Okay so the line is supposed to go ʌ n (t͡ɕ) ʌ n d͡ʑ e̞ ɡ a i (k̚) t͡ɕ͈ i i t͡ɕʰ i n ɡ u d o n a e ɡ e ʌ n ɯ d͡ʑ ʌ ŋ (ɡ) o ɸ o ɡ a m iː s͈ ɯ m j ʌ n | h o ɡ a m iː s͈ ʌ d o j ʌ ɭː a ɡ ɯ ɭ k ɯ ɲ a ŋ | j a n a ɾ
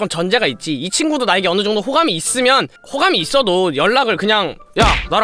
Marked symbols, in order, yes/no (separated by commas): yes, no, no